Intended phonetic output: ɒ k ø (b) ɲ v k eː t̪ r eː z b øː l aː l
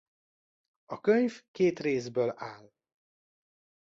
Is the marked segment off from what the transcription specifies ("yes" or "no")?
yes